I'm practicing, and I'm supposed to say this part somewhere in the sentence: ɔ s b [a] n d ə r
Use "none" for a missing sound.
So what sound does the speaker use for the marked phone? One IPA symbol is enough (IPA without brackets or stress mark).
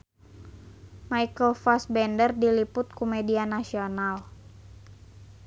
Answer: ɛ